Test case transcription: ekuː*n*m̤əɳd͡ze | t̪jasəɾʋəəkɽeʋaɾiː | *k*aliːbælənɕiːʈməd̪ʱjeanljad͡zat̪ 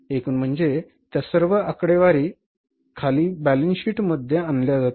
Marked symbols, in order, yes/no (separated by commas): yes, no